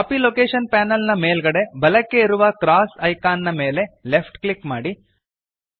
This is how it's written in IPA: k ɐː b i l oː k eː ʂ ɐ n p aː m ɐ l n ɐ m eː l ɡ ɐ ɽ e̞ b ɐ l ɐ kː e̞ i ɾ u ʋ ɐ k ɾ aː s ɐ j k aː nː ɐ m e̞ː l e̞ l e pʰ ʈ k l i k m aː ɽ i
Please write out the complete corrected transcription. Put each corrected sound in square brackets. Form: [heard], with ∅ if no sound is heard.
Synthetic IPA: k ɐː [p] i l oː k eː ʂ ɐ n p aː [n] ɐ l n ɐ m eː l ɡ ɐ ɽ e̞ b ɐ l ɐ kː e̞ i ɾ u ʋ ɐ k ɾ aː s ɐ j k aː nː ɐ m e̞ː l e̞ l e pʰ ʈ k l i k m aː ɽ i